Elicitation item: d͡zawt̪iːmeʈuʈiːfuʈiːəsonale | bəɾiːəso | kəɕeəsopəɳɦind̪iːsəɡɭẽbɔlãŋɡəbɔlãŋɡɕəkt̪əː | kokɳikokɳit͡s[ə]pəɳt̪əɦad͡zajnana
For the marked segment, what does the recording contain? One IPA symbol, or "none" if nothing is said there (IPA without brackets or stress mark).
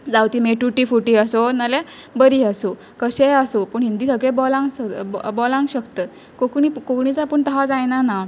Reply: a